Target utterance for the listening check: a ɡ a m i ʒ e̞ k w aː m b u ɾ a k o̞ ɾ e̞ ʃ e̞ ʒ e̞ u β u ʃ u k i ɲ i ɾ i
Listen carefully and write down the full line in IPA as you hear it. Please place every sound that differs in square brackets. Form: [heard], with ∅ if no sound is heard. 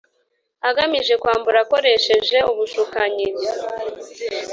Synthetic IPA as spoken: a ɡ a m i ʒ e̞ k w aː m b u ɾ a k o̞ ɾ e̞ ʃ e̞ ʒ e̞ u β u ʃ u k [a] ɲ i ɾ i